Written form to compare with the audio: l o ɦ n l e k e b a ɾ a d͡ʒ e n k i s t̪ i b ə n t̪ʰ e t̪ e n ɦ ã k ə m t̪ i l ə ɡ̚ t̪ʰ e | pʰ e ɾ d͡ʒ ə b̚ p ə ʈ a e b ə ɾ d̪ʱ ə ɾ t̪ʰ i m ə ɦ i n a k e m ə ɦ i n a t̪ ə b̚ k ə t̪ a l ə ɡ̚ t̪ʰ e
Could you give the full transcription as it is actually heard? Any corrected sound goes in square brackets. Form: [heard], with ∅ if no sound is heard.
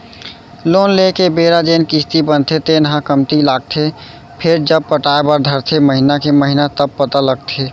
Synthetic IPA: l o [∅] n l e k e b [e] ɾ a d͡ʒ e n k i s t̪ i b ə n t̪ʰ e t̪ e n ɦ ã k ə m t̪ i l [a] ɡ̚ t̪ʰ e | pʰ e ɾ d͡ʒ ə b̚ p ə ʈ a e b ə ɾ d̪ʱ ə ɾ t̪ʰ [e] m ə ɦ i n a k e m ə ɦ i n a t̪ ə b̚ [p] ə t̪ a l ə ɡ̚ t̪ʰ e